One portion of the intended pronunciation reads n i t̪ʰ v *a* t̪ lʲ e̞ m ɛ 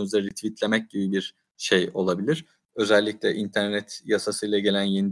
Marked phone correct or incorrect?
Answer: incorrect